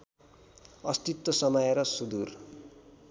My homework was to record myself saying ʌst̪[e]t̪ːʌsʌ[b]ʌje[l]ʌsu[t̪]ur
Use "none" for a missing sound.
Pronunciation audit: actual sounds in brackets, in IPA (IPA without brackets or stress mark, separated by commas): i, m, ɾ, d̪